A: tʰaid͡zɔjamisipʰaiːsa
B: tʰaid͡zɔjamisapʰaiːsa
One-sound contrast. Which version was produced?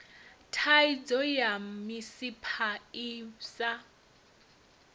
A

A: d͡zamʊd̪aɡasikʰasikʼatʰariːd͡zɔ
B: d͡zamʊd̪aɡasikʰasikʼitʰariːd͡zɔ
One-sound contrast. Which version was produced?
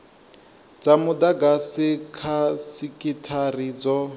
B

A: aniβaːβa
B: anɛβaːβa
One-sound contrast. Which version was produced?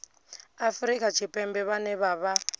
B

